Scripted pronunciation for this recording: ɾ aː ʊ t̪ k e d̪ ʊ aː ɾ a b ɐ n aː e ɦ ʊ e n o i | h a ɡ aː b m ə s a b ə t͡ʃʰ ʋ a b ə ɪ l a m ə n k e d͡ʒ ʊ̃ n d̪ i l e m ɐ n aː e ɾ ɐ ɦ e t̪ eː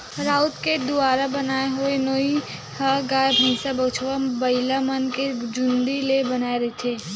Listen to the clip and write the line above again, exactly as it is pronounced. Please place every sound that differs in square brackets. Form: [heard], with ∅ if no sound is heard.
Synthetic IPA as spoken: ɾ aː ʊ t̪ k e d̪ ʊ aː ɾ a b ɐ n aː e ɦ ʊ e n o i | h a ɡ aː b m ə s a b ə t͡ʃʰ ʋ a b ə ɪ l a m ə n k e d͡ʒ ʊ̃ n d̪ i l e [b] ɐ n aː e ɾ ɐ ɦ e [t̪ʰ] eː